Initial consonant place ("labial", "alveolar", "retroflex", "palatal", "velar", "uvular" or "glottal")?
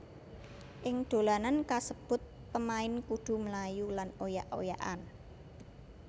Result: glottal